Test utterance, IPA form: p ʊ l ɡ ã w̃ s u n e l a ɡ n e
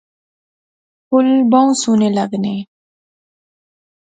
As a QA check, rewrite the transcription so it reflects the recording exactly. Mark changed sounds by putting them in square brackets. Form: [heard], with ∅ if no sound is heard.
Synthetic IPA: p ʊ l [b] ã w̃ s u n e l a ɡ n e